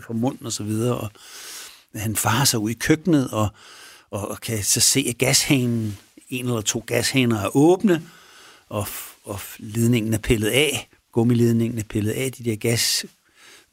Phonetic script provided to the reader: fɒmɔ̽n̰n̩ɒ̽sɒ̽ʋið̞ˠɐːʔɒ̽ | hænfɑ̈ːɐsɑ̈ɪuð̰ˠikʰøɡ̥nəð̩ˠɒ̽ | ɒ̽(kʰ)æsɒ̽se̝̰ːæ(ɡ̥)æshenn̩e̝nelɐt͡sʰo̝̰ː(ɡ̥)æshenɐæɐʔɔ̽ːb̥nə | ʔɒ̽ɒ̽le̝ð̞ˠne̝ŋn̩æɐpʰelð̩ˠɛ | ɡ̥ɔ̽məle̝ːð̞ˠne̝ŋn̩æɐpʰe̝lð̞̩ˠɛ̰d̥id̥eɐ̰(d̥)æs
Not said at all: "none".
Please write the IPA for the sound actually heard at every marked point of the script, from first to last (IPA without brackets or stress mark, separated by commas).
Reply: kʰ, ɡ̥, ɡ̥, ɡ̥